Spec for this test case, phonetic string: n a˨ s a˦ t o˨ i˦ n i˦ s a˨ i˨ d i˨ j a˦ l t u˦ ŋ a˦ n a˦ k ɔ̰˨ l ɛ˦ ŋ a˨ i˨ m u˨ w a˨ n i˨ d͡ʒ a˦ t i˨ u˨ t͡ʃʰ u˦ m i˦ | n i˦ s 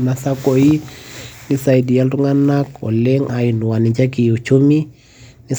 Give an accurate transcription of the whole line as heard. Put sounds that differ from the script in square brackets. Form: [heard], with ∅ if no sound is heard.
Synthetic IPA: n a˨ s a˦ [k] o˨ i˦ n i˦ s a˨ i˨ d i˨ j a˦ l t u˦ ŋ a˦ n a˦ k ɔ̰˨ l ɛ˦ ŋ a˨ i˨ [n] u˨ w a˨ n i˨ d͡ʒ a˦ [k] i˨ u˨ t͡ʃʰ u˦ m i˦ | n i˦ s